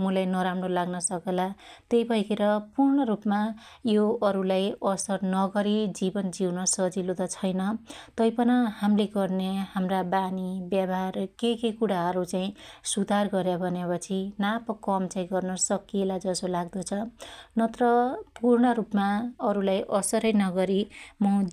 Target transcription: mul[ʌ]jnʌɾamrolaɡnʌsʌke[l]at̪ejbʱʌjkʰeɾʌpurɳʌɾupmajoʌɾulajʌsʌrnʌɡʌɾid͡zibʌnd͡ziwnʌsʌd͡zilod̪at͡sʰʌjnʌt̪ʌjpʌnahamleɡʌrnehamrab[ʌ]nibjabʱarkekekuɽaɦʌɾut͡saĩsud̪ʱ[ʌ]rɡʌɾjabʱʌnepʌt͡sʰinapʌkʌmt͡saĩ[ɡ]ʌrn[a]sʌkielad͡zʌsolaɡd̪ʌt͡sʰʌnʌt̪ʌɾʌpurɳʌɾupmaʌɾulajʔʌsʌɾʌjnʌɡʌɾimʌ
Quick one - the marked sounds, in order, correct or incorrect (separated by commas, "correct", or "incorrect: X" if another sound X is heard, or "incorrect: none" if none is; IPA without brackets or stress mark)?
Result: incorrect: a, correct, incorrect: a, incorrect: a, correct, incorrect: ʌ